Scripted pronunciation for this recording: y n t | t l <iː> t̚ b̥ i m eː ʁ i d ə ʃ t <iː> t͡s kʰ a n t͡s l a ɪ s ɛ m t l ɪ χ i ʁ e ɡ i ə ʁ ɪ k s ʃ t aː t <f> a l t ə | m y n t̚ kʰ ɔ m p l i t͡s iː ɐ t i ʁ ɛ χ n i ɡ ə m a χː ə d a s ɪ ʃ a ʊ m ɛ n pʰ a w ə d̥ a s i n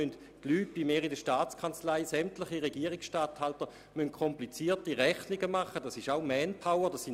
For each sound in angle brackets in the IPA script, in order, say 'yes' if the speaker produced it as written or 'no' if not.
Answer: no, no, no

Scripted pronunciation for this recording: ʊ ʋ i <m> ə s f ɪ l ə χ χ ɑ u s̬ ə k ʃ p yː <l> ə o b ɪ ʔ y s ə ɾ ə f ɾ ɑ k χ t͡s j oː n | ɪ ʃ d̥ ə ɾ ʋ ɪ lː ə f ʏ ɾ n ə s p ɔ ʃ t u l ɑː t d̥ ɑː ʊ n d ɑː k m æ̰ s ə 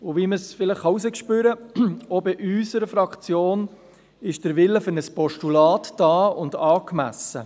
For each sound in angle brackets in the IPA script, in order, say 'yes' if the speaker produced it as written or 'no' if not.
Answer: yes, no

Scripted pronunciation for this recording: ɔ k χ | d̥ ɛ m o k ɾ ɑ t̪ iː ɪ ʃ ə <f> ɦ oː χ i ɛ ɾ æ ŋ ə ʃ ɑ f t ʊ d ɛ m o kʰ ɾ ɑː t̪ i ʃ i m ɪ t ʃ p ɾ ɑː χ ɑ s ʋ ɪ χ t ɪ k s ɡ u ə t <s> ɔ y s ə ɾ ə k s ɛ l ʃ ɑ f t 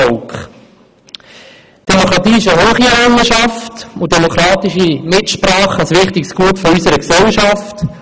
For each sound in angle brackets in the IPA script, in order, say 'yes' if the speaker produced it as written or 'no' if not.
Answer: no, no

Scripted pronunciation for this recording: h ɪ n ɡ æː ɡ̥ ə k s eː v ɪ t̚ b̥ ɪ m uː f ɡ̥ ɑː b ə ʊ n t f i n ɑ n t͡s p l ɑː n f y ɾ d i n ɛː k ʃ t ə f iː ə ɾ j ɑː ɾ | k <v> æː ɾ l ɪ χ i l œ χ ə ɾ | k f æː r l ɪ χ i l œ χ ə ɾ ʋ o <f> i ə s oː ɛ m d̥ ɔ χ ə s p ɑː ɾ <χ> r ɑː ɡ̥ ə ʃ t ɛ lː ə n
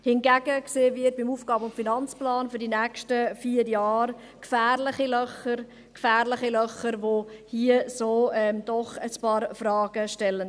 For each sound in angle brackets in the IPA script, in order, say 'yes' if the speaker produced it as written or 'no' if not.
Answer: no, no, no

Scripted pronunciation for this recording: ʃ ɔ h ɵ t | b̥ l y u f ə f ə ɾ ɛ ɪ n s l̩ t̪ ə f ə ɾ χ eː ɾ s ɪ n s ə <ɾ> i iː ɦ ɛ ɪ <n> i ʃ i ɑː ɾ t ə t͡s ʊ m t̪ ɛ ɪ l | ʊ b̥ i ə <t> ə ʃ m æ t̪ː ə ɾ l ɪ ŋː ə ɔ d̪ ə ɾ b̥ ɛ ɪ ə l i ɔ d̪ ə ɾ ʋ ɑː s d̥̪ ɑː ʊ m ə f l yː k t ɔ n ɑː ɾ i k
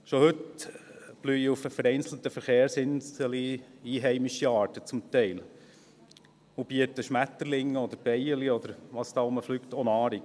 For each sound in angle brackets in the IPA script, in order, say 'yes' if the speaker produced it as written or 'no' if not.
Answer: no, no, yes

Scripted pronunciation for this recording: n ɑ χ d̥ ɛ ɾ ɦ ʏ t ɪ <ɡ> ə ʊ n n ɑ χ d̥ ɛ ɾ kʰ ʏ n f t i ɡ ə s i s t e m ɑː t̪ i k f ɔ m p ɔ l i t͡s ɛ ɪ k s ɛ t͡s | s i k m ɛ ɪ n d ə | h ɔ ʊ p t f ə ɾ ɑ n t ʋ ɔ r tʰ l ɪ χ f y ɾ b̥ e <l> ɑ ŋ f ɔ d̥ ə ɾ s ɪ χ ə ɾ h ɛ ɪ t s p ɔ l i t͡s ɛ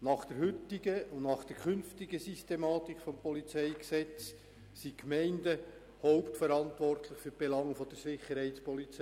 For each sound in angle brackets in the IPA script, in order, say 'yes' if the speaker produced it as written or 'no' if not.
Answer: yes, yes

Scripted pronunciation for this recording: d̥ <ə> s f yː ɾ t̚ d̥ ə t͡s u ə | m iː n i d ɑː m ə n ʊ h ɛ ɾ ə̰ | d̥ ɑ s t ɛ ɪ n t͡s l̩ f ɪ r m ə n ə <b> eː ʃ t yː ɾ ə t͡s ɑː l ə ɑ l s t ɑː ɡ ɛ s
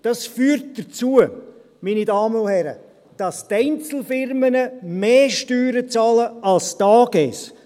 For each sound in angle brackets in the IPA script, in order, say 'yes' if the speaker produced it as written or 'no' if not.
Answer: no, no

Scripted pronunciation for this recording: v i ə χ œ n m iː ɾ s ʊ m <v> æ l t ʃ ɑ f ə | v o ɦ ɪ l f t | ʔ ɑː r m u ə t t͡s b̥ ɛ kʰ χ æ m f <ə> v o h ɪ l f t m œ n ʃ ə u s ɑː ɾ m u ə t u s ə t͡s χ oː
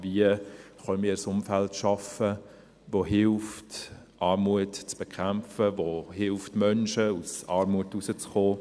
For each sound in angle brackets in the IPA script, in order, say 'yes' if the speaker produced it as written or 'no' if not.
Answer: no, yes

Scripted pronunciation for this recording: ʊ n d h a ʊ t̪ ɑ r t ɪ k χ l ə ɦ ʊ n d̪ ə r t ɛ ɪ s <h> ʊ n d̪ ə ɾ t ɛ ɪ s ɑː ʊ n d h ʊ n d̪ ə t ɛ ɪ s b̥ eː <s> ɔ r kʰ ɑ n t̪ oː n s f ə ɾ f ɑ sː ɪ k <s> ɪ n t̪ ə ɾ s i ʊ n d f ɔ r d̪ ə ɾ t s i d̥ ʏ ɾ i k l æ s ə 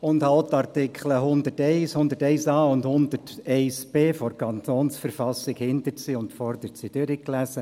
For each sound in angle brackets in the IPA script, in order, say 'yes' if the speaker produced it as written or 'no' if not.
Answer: yes, no, no

